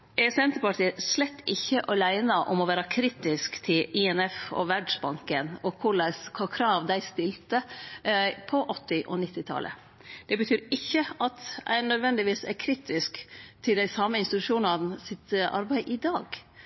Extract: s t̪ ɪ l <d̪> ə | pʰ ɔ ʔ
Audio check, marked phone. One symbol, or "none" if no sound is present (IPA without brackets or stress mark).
t̪